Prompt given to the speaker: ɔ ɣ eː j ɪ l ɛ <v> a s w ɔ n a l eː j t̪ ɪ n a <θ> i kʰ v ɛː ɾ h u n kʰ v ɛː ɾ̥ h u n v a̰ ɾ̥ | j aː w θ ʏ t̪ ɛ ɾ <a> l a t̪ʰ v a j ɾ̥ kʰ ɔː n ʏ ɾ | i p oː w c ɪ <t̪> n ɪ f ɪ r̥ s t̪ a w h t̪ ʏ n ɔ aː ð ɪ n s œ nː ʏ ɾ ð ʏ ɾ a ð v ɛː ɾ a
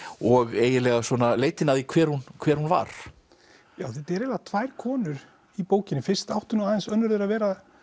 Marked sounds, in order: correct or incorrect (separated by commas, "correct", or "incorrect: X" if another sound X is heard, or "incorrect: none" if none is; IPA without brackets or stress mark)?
incorrect: ɣ, incorrect: ð, incorrect: ɛ, incorrect: none